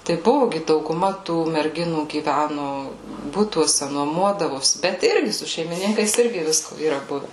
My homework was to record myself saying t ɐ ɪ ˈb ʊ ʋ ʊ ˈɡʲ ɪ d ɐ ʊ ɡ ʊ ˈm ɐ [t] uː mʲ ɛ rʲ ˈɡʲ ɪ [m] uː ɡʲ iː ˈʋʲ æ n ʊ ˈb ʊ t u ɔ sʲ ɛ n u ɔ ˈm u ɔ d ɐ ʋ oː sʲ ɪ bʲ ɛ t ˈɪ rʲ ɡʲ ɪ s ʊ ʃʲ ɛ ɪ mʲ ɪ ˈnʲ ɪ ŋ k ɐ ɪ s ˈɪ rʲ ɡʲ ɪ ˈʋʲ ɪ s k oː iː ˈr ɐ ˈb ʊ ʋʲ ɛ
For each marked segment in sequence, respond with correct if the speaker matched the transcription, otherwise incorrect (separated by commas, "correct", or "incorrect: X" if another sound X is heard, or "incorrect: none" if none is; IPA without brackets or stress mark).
correct, incorrect: n